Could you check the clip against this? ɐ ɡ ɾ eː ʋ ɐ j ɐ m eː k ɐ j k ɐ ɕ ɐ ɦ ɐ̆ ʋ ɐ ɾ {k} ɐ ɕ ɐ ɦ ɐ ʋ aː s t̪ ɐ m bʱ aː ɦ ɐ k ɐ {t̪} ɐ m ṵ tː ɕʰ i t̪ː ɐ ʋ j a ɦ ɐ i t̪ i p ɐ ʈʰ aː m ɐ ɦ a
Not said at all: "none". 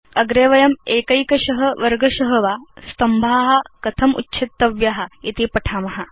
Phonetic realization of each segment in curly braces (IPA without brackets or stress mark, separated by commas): ɡ, t̪ʰ